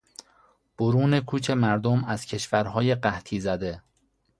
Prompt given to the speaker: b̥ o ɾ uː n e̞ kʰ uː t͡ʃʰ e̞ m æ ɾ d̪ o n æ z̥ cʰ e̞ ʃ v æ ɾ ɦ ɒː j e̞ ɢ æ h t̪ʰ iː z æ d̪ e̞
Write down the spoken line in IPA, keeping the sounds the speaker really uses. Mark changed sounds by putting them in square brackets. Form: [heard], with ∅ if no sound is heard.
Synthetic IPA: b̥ o ɾ uː n e̞ kʰ uː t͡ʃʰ e̞ m æ ɾ d̪ o [m] æ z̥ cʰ e̞ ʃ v æ ɾ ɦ ɒː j e̞ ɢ æ h t̪ʰ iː z æ d̪ e̞